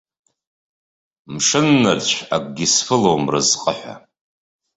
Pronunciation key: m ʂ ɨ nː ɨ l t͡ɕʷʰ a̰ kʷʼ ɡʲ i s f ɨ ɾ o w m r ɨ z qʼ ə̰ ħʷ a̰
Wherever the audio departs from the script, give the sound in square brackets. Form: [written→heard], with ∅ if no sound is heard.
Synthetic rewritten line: m ʂ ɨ nː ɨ [l→r] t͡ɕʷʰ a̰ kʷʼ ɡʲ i s f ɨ [ɾ→l] o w m r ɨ z qʼ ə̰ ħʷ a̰